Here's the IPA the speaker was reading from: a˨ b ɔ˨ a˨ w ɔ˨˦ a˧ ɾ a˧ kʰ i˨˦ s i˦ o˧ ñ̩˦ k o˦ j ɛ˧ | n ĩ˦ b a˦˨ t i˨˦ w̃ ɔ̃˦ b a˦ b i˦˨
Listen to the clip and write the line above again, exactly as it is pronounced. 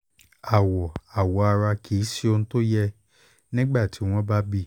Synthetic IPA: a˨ w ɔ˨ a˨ w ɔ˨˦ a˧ ɾ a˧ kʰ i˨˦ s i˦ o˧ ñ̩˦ t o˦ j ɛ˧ | n ĩ˦ ɡ͡b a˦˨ t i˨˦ w̃ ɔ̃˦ b a˦ b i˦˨